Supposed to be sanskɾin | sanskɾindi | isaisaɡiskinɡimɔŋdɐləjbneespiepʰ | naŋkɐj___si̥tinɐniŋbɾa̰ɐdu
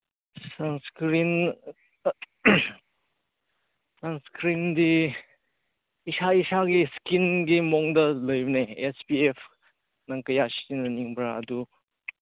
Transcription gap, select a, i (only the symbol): a